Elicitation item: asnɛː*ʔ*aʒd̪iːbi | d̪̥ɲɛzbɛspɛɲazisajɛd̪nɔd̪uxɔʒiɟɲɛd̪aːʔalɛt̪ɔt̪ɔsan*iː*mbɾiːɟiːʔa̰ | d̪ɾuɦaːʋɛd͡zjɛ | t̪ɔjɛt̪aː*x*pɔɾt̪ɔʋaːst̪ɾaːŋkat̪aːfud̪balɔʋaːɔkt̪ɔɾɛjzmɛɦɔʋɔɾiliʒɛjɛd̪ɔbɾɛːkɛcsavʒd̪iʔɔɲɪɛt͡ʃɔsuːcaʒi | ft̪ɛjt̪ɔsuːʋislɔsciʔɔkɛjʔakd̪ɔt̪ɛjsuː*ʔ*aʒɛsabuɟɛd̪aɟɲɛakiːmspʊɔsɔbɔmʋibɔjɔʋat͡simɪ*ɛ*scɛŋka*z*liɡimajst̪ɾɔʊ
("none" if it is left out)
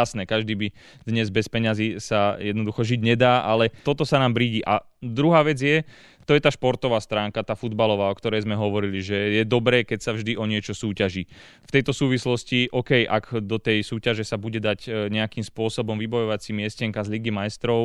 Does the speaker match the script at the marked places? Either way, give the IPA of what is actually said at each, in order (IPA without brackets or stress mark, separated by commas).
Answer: k, aː, ʃ, c, ɛ, z